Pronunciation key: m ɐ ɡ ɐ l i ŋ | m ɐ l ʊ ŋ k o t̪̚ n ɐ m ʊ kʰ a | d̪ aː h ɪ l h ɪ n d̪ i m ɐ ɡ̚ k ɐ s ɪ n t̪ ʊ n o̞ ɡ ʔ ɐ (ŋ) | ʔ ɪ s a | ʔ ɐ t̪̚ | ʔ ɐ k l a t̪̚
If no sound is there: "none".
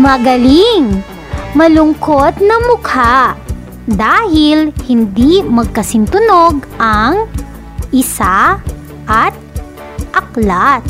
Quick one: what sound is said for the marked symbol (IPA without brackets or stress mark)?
ŋ